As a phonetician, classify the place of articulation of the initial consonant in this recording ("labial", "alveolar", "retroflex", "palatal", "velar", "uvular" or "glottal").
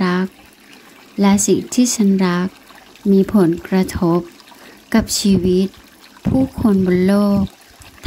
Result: velar